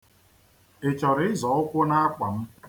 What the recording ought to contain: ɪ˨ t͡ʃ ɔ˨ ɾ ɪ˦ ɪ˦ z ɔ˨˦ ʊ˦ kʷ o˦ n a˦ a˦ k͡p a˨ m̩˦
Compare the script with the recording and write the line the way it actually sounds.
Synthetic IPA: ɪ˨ t͡ʃ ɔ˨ ɾ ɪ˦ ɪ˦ z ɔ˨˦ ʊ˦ kʷ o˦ n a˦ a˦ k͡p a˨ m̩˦